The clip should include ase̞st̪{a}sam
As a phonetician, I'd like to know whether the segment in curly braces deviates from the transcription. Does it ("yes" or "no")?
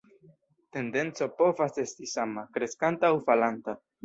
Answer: yes